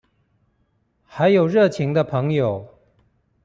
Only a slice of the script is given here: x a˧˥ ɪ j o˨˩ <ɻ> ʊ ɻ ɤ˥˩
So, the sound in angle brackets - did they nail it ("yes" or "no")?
no